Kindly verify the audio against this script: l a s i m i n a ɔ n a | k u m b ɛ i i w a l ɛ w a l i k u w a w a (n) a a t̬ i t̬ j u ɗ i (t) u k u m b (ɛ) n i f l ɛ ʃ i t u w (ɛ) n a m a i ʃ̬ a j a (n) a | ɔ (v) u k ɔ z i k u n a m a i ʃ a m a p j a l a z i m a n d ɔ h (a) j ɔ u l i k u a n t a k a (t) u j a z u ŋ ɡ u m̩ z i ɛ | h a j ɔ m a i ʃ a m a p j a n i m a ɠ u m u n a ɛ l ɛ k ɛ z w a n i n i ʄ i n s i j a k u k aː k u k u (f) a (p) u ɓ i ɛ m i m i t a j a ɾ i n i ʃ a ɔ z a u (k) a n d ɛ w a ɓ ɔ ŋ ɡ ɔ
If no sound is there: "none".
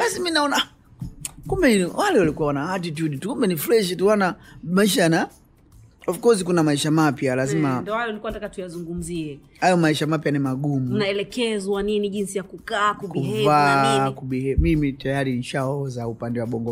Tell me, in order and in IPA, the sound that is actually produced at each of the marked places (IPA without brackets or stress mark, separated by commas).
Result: n, t, ɛ, a, n, f, a, t, v, k, p